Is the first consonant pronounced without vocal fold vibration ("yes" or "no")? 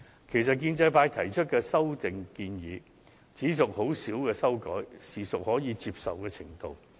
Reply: yes